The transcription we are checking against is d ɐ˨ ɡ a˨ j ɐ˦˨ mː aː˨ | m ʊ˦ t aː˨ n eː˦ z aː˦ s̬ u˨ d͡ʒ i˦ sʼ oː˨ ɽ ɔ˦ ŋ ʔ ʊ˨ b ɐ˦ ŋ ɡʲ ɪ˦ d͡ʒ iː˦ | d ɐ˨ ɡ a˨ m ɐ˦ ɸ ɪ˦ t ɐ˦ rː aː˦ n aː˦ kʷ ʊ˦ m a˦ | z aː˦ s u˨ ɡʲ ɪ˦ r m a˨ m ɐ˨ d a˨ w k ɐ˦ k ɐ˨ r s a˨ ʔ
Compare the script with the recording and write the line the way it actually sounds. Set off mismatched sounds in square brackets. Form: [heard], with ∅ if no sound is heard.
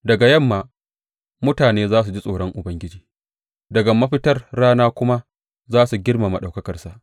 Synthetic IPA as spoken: d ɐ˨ ɡ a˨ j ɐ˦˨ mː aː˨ | m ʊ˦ t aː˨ n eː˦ z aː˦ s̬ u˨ d͡ʒ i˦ sʼ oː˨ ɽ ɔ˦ ŋ ʔ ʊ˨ b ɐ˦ ŋ ɡʲ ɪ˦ d͡ʒ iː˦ | d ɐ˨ ɡ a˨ m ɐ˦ ɸ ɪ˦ t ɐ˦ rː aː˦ n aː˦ kʷ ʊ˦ m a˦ | z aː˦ s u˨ ɡʲ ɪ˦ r m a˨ m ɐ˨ [ɗ] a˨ w k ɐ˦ k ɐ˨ r s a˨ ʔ